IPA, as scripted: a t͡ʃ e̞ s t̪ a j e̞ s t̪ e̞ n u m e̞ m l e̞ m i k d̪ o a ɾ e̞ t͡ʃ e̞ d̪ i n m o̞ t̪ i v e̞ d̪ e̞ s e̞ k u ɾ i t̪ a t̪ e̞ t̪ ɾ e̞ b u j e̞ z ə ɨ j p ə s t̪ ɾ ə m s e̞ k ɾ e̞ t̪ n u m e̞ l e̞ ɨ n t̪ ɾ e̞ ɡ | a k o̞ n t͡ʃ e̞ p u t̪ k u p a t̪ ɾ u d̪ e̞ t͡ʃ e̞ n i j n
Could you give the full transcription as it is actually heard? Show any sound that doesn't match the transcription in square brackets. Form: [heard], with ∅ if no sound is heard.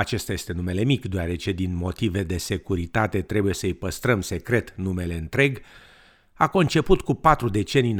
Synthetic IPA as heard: a t͡ʃ e̞ s t̪ a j e̞ s t̪ e̞ n u m e̞ [∅] l e̞ m i k d̪ o a ɾ e̞ t͡ʃ e̞ d̪ i n m o̞ t̪ i v e̞ d̪ e̞ s e̞ k u ɾ i t̪ a t̪ e̞ t̪ ɾ e̞ b u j e̞ [s] ə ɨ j p ə s t̪ ɾ ə m s e̞ k ɾ e̞ t̪ n u m e̞ l e̞ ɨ n t̪ ɾ e̞ ɡ | a k o̞ n t͡ʃ e̞ p u t̪ k u p a t̪ ɾ u d̪ e̞ t͡ʃ e̞ n i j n